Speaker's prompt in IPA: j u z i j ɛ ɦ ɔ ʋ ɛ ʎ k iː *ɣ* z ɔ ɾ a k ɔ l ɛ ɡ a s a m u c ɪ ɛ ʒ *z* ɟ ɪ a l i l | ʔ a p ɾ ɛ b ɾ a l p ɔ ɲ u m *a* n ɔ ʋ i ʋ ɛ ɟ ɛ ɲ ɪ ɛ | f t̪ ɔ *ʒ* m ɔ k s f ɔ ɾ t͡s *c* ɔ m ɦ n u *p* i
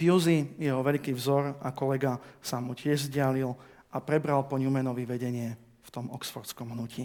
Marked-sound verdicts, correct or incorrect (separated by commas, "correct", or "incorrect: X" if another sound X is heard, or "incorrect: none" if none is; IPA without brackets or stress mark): incorrect: v, correct, incorrect: ɛ, incorrect: none, incorrect: k, incorrect: c